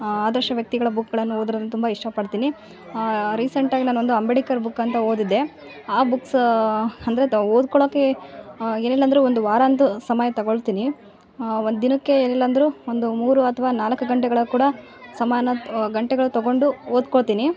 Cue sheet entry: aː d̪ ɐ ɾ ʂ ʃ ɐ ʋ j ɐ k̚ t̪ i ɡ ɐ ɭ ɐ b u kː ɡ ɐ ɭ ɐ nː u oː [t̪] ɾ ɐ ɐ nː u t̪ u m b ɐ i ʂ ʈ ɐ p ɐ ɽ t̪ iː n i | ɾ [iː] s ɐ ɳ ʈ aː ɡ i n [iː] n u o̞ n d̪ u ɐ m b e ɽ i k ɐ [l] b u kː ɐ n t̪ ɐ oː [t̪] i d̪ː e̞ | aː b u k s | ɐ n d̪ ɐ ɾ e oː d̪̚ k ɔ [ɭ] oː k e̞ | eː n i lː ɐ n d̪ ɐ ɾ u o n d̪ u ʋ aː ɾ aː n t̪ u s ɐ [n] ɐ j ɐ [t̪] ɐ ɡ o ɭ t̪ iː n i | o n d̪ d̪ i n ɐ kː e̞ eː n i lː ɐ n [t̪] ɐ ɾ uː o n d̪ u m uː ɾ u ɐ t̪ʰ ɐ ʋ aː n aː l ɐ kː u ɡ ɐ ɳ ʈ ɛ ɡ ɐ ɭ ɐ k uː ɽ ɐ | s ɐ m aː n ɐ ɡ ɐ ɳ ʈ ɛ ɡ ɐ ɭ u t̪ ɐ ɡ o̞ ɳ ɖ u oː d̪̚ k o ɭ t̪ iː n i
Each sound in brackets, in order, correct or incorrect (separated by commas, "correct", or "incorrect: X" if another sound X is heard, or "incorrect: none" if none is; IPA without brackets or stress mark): incorrect: d̪, correct, incorrect: aː, incorrect: ɾ, incorrect: d̪, correct, incorrect: m, correct, incorrect: d̪